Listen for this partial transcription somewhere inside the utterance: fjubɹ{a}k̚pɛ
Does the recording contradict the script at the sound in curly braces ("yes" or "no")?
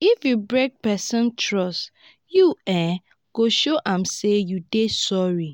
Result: yes